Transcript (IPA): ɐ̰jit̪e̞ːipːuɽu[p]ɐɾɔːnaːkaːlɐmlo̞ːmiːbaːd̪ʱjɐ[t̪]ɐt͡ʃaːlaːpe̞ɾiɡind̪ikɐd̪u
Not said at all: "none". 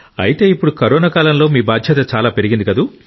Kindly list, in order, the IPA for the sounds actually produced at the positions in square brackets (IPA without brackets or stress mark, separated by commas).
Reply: k, t̪